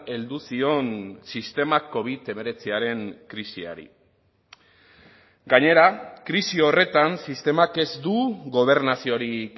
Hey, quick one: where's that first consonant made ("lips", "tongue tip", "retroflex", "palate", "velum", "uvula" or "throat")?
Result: tongue tip